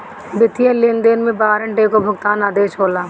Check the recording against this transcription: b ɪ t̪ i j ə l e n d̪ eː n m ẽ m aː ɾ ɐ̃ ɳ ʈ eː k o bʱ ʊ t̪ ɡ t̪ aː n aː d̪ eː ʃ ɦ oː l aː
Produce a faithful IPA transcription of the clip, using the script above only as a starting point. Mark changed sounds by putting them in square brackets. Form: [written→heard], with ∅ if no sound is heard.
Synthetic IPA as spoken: b ɪ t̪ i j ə l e n d̪ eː n m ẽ [m→b] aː ɾ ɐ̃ ɳ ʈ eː k o bʱ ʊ [t̪→∅] ɡ t̪ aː n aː d̪ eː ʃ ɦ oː l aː